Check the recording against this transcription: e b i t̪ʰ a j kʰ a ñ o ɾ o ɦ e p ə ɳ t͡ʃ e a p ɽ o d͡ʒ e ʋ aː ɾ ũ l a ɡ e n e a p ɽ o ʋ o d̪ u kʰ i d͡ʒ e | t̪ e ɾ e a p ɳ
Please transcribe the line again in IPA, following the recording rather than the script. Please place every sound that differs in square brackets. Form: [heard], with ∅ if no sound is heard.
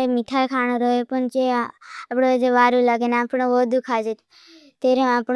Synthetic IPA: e [m] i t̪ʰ a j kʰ a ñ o ɾ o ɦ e p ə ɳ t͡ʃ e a p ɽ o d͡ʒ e ʋ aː ɾ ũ l a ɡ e n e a p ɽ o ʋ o d̪ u kʰ [a] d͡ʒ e | t̪ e ɾ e a p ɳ